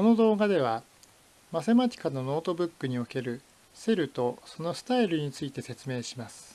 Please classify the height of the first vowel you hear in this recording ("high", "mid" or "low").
mid